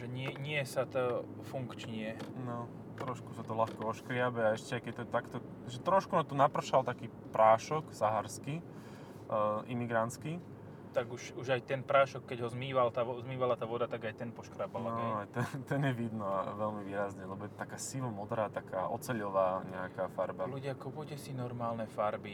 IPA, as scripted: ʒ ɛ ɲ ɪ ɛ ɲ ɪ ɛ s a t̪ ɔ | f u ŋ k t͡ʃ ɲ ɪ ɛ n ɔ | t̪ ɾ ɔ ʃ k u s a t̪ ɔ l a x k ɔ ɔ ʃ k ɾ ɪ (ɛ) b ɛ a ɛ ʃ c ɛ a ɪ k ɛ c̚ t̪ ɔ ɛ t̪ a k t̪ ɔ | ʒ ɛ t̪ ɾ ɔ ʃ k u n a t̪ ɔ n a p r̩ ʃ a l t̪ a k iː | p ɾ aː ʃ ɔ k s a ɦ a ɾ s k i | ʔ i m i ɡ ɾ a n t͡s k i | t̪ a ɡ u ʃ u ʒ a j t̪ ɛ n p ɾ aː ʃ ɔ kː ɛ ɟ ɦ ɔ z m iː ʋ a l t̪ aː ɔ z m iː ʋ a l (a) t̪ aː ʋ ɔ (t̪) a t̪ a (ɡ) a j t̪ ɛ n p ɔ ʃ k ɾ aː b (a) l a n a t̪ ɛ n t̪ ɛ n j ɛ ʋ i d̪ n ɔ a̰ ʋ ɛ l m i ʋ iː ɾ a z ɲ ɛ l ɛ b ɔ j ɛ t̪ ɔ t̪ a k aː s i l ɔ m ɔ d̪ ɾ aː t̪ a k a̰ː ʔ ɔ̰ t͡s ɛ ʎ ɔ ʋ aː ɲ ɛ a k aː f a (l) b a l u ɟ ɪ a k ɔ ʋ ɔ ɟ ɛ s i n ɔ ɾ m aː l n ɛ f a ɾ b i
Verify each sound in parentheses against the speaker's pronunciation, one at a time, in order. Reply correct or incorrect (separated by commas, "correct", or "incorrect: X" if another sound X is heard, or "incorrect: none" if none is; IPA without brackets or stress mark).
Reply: incorrect: a, correct, incorrect: d̪, correct, correct, incorrect: ɾ